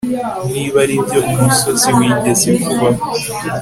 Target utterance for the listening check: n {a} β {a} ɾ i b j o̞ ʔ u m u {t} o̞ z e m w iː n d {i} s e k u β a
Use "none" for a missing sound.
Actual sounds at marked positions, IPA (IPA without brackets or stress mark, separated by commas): i, a, s, e